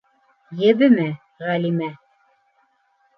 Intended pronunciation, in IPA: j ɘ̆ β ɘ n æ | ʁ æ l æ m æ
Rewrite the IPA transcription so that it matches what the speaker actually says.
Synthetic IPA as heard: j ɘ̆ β ɘ m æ | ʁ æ l i m æ

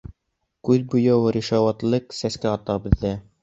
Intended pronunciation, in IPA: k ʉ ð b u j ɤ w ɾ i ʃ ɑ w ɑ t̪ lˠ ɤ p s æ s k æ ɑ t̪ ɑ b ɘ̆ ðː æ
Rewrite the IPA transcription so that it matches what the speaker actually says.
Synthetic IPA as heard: k ʉ ð b u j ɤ w ɾ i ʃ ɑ w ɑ t̪ lˠ ɤ q s æ s k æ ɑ t̪ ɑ b ɘ̆ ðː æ

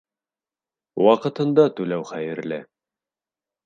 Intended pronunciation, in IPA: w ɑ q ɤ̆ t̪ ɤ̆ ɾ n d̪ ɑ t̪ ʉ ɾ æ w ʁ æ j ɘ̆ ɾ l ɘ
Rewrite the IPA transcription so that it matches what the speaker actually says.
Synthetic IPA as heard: w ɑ q ɤ̆ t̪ ɤ̆ n d̪ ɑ t̪ ʉ l æ w χ æ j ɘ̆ ɾ l ɘ

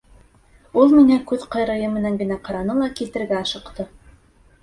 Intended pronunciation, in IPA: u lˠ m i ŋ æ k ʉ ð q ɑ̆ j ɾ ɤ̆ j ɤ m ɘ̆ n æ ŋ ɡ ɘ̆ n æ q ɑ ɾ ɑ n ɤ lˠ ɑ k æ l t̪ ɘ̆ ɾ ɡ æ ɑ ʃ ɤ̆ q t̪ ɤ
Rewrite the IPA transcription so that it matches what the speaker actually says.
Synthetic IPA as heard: u lˠ m i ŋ æ k ʉ ð q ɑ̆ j ɾ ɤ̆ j ɤ m ɘ̆ n æ ŋ ɡ ɘ̆ n æ q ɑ ɾ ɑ n ɤ lˠ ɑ k i l t̪ ɘ̆ ɾ ɡ æ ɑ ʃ ɤ̆ q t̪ ɤ

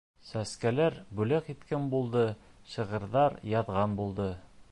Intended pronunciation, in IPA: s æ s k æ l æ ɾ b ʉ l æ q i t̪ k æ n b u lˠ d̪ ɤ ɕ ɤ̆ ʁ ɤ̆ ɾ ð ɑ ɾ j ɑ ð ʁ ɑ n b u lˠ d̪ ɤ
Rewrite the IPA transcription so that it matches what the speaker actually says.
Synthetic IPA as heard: s æ s k æ l æ ɾ b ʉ l æ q i t̪ k æ n b u lˠ d̪ ɤ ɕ ɤ̆ ʁ ɤ̆ ɾ ð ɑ ɾ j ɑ ð ʁ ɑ n b u lˠ d̪ ɤ

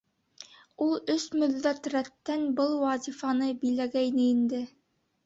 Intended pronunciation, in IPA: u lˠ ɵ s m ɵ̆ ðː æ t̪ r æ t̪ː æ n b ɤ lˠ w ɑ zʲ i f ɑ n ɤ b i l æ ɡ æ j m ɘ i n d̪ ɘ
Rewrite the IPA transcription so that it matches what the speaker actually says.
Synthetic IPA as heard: u lˠ ɵ s m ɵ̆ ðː æ t̪ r æ t̪ː æ n b ɤ lˠ w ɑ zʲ i f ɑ n ɤ b i l æ ɡ æ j n ɘ i n d̪ ɘ

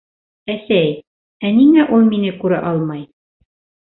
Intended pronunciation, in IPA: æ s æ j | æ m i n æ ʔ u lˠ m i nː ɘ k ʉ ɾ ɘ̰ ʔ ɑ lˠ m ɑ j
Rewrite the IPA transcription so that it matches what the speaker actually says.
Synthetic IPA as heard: æ s æ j | æ n i ŋ æ ʔ u lˠ m i n ɘ k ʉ ɾ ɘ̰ ʔ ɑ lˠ m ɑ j

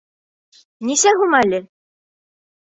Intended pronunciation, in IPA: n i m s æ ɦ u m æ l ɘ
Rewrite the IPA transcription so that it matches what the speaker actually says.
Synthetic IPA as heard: n i s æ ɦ u m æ l ɘ

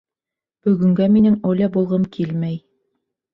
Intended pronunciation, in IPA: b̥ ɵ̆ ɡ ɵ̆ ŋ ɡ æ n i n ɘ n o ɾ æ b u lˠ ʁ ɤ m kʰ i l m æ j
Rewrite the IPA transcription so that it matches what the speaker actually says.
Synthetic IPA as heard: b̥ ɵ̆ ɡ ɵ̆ ŋ ɡ æ m i n ɘ ŋ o l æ b u lˠ ʁ ɤ m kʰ i l m æ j

